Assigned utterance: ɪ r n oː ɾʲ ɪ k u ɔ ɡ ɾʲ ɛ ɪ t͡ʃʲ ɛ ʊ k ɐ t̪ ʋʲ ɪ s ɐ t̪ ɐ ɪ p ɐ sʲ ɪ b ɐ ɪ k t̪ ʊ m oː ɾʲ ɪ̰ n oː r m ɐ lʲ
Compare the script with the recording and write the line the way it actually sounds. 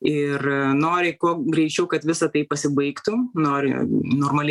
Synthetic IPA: ɪ r n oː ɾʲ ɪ k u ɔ ɡ ɾʲ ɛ ɪ t͡ʃʲ ɛ ʊ k ɐ t̪ ʋʲ ɪ s ɐ t̪ ɐ ɪ p ɐ sʲ ɪ b ɐ ɪ k t̪ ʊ n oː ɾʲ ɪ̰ n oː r m ɐ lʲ